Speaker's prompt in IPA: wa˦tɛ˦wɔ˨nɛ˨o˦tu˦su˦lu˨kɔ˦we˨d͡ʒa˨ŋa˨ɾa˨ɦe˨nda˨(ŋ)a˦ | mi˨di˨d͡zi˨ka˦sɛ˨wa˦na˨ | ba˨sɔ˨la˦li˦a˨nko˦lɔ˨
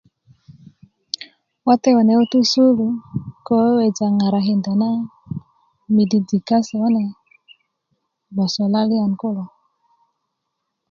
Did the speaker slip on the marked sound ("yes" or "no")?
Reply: yes